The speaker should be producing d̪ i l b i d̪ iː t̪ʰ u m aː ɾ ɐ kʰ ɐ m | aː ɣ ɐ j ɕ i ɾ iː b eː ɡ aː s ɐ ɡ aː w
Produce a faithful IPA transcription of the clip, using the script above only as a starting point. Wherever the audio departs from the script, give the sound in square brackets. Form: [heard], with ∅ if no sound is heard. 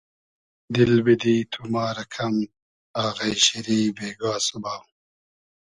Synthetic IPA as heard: d̪ i l b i d̪ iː t̪ʰ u m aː ɾ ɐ kʰ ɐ m | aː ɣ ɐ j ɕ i ɾ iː b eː ɡ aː s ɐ [b] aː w